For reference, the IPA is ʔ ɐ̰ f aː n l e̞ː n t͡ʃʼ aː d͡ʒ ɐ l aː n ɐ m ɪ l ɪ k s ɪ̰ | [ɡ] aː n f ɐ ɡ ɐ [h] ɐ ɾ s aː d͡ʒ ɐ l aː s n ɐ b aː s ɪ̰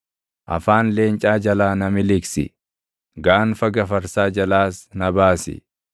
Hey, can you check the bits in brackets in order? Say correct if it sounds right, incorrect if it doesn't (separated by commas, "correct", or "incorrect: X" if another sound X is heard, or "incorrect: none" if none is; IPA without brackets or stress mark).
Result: correct, incorrect: f